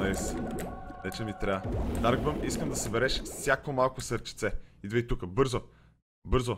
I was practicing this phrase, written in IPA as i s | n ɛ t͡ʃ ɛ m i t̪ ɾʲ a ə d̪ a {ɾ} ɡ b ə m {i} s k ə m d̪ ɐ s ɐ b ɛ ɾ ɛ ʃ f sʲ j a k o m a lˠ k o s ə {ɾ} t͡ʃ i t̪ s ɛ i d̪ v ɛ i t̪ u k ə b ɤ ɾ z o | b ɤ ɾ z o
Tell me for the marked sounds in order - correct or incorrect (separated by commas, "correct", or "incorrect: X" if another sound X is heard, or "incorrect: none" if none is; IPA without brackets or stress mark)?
correct, correct, correct